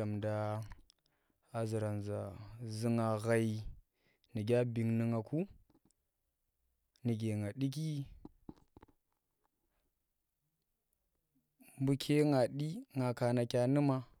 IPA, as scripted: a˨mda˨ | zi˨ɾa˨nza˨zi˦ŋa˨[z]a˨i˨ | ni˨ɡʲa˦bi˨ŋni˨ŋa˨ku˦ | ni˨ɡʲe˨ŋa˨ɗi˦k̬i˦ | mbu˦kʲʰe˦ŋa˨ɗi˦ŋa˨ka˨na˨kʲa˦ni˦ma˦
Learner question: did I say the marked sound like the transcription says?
no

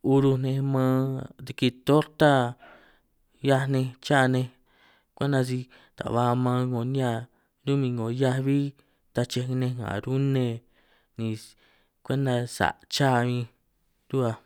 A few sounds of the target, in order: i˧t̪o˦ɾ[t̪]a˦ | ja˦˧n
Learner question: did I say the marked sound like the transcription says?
yes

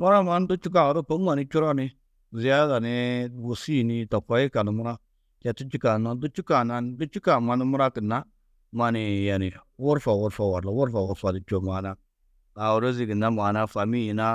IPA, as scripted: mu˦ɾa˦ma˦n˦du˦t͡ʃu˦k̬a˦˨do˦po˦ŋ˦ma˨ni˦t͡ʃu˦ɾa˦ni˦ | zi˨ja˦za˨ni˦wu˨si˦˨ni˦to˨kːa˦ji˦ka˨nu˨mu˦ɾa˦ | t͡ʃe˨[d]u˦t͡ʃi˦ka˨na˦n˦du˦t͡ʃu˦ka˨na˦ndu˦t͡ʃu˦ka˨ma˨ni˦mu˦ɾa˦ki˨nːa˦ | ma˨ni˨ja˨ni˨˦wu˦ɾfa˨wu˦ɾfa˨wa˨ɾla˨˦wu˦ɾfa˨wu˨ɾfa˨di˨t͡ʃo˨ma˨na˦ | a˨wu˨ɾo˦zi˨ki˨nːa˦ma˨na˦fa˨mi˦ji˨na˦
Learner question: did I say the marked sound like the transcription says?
no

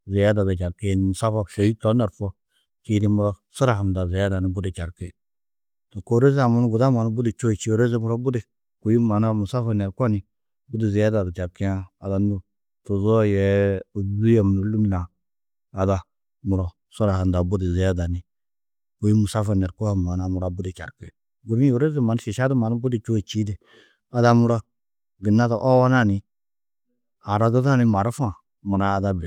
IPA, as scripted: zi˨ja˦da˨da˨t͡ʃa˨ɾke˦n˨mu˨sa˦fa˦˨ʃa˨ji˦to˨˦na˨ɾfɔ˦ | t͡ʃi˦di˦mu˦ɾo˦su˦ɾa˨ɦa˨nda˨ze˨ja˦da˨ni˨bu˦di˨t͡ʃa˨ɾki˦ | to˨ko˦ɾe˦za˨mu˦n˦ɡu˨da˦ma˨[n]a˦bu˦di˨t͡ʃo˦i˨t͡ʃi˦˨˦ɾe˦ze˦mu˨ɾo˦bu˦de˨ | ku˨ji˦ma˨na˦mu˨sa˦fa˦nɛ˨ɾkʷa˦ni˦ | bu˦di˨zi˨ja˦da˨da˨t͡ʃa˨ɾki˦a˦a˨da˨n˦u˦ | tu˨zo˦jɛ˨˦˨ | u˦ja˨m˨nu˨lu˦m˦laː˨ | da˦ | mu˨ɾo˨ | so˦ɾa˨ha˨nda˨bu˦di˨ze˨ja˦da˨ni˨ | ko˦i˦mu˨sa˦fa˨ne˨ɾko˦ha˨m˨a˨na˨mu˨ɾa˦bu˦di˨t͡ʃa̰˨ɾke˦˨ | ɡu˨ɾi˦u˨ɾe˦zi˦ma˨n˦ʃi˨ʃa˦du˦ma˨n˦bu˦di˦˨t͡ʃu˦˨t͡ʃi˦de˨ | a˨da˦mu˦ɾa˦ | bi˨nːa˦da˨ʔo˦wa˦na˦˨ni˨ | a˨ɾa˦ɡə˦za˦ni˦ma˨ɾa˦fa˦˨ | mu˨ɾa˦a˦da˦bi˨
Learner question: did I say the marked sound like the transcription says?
yes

